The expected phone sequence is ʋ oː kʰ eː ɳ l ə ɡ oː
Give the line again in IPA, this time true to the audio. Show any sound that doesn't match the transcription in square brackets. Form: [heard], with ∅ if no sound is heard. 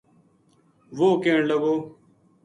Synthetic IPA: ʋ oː [k] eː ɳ l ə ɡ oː